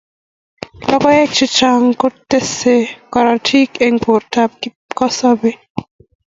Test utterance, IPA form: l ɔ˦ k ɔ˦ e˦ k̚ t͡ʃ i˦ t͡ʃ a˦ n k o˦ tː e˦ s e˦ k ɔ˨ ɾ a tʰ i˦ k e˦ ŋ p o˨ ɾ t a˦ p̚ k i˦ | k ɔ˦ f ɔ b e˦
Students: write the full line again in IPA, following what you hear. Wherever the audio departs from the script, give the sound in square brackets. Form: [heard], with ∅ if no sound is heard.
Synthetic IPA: l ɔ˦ k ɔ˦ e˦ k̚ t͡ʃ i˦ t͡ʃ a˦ [ŋ] k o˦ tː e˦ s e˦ k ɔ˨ ɾ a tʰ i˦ k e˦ ŋ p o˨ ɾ t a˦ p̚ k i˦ | k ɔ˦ [s] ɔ b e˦